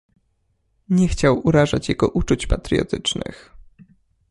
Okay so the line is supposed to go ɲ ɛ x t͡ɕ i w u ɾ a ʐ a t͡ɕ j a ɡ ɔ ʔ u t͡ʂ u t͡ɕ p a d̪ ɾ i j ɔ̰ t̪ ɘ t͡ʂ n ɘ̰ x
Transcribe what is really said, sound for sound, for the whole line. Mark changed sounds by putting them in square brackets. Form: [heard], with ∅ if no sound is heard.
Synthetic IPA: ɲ ɛ x t͡ɕ [a] w u ɾ a ʐ a t͡ɕ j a ɡ ɔ ʔ u t͡ʂ u t͡ɕ p a [t̪] ɾ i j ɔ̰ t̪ ɘ t͡ʂ n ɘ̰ x